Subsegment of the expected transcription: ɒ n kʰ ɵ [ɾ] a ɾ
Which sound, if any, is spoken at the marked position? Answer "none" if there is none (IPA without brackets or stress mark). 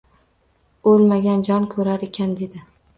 ɾ